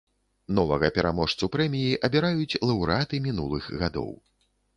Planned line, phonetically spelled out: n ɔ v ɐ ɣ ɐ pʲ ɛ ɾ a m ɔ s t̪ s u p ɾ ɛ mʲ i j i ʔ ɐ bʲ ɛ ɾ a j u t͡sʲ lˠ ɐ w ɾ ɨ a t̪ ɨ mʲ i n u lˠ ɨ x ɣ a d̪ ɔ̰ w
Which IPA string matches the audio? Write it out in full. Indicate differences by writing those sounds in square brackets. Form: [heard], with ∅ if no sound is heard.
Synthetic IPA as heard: n ɔ v ɐ ɣ ɐ pʲ ɛ ɾ a m ɔ [ʂ] t̪ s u p ɾ ɛ mʲ i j i ʔ ɐ bʲ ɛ ɾ a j u t͡sʲ lˠ ɐ w ɾ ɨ a t̪ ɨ mʲ i n u lˠ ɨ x ɣ a d̪ ɔ̰ w